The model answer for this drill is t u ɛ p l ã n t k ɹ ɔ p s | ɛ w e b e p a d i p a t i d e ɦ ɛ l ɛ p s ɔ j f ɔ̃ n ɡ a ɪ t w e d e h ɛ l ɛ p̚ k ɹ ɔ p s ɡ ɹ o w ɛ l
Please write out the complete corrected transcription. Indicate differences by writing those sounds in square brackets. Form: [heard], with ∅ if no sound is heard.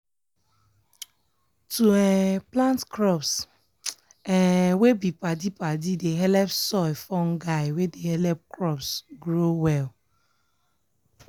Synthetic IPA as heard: t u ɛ p l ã n t k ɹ ɔ p s | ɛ w e b [i] p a d i p a [d] i d e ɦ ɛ l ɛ p s ɔ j f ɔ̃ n ɡ a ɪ [∅] w e d e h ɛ l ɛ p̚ k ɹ ɔ p s ɡ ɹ o w ɛ l